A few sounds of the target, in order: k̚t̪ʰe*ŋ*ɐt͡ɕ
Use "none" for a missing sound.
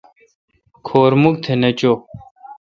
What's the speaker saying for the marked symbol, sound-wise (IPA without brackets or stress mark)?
n